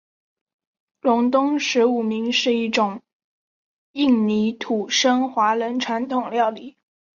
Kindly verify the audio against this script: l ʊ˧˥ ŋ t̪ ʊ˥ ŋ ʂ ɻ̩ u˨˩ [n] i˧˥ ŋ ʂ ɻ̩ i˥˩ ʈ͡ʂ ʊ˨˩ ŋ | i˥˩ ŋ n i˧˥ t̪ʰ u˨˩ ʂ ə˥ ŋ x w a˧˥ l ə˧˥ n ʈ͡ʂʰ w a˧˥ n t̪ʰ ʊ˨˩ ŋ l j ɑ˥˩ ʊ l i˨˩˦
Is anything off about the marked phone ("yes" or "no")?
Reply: yes